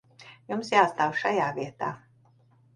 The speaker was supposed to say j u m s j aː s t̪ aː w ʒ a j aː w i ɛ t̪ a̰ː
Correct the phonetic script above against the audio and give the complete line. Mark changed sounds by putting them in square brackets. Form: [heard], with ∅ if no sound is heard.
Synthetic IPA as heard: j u m s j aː s t̪ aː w [ʃ] a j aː [v] i ɛ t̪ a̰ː